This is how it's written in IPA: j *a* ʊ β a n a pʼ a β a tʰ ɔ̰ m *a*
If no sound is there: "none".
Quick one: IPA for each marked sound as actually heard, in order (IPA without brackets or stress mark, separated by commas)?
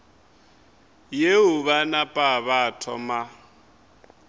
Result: e, a